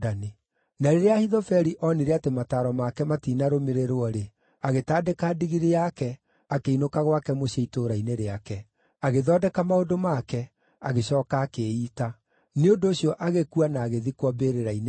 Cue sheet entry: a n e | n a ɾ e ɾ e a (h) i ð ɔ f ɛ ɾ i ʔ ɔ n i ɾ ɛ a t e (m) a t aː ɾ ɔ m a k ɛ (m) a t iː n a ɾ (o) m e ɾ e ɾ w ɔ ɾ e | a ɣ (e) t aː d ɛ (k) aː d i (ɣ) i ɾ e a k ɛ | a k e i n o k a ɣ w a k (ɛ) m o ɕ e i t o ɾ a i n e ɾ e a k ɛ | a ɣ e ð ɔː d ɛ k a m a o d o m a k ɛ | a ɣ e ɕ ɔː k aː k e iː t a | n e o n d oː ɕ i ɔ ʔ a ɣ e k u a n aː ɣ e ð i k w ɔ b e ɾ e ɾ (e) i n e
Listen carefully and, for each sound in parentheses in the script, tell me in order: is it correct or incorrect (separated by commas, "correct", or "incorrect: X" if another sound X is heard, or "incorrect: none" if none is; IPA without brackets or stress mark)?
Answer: correct, correct, correct, correct, correct, correct, correct, correct, incorrect: a